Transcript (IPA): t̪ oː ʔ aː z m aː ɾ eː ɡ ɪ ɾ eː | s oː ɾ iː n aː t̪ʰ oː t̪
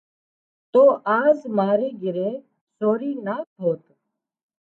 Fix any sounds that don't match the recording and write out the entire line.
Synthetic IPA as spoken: t̪ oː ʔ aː z m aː ɾ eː ɡ ɪ ɾ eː | s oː ɾ iː n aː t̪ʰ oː t̪